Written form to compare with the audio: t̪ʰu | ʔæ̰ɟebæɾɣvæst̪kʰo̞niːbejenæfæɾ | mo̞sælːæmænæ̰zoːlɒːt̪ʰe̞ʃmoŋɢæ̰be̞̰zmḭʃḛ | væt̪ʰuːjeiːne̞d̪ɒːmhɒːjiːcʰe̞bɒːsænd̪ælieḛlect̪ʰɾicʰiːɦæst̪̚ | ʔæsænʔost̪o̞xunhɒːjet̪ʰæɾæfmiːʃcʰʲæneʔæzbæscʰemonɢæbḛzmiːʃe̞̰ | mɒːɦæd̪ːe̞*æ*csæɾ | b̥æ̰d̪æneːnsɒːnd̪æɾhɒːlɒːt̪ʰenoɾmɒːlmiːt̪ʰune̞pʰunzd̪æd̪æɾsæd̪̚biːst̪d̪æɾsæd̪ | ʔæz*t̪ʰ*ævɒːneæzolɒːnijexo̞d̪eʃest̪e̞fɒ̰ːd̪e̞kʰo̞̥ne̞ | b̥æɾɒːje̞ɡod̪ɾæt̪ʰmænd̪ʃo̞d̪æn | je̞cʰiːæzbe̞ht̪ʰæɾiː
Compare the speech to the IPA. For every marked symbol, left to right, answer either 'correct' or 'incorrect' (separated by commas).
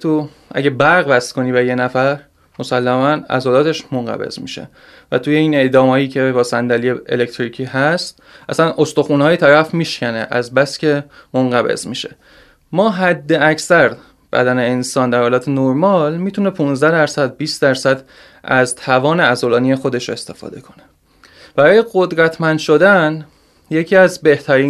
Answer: correct, correct